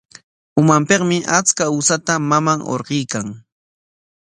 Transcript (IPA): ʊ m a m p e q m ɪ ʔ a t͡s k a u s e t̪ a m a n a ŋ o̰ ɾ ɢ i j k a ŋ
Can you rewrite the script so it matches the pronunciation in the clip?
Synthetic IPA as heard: ʊ m a m p e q m ɪ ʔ a t͡s k a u s a t̪ a m a m a ŋ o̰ ɾ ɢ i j k a ŋ